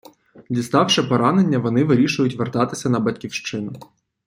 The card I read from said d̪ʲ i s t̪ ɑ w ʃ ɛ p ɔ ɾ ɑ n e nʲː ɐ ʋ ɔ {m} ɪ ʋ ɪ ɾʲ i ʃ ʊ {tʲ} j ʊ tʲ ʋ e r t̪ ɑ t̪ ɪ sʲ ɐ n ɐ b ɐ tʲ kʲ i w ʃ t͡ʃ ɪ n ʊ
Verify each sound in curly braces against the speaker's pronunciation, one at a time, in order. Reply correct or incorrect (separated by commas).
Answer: incorrect, incorrect